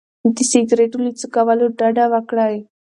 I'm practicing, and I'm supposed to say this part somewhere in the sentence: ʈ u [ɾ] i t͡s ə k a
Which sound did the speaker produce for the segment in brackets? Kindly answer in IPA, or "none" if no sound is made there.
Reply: l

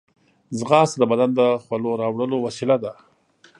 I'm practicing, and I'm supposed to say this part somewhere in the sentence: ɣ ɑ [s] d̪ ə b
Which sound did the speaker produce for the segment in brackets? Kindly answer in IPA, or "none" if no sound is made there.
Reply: s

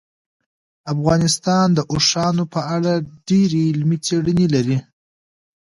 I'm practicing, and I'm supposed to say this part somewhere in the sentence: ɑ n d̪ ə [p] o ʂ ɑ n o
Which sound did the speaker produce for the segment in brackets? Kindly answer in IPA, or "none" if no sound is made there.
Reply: ʔ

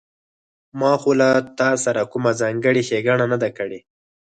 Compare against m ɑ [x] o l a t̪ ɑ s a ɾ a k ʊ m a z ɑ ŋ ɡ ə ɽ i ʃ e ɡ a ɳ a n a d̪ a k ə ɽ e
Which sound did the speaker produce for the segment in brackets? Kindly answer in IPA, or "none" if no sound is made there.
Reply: x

